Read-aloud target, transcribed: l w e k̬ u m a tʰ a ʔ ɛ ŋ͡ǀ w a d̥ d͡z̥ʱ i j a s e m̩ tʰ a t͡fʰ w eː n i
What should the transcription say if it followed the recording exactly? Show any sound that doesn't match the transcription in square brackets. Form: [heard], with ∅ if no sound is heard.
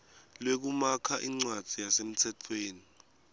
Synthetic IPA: l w e k̬ u m a [kʰ] a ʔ [i] ŋ͡ǀ w a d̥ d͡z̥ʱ i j a s e m̩ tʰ [ɛ] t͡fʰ w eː n i